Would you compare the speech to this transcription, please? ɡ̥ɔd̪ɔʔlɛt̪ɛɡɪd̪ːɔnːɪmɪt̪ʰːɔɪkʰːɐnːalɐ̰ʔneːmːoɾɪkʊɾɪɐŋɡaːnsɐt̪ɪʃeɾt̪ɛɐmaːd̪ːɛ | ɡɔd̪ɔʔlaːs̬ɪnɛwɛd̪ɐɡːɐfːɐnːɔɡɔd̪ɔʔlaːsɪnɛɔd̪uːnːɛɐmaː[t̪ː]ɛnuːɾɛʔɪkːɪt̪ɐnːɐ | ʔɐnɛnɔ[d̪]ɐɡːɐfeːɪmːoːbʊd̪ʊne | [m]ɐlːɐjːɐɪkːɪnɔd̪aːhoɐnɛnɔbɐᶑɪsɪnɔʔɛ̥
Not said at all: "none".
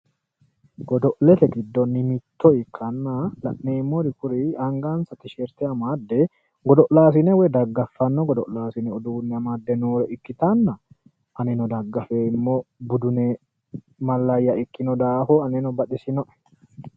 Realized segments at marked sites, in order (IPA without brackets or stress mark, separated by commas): d̪ː, d̪, m